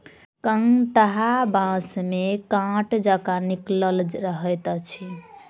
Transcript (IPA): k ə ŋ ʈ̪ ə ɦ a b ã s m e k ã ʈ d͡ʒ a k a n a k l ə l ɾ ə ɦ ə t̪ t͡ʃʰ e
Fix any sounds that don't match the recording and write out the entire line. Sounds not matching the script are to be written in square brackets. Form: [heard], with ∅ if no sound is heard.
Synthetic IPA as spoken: k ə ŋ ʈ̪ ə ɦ a b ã s m e k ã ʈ d͡ʒ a k a n [i] k l ə l ɾ ə ɦ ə t̪ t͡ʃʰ [i]